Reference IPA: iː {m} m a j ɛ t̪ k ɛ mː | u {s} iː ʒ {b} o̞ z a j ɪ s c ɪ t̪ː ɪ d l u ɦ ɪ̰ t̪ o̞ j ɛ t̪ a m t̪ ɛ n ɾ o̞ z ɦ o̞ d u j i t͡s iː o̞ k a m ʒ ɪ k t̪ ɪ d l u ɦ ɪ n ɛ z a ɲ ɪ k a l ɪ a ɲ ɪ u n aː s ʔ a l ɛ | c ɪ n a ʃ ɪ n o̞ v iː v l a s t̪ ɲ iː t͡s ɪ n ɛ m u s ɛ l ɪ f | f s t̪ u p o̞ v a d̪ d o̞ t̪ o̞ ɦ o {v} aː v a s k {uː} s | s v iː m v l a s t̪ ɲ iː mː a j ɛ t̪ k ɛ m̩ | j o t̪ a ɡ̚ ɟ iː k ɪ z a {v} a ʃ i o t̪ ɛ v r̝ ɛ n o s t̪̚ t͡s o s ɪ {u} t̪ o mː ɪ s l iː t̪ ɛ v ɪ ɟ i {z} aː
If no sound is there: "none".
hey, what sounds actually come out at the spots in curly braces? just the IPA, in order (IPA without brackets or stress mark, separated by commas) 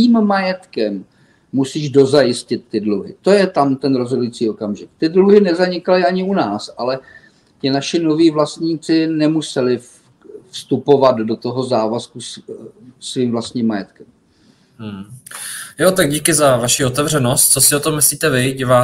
m, s, d, z, u, v, o, v